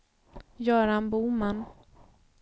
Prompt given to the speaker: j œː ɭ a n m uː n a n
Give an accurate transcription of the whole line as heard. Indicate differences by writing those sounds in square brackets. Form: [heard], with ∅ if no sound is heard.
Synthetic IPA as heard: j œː [ɾ] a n [b] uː [m] a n